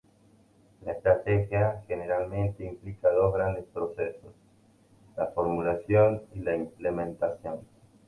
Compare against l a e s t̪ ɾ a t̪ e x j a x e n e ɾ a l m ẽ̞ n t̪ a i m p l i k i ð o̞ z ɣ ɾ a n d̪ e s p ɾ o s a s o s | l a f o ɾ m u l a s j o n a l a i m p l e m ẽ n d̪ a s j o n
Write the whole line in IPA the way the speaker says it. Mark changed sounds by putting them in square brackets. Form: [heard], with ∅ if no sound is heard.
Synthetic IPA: l a e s t̪ ɾ a t̪ e x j a x e n e ɾ a l m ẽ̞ n t̪ [e] i m p l i k [a] ð o̞ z ɣ ɾ a n d̪ e s p ɾ o s [e] s o s | l a f o ɾ m u l a s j o n [i] l a i m p l e m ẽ n [t̪] a s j o n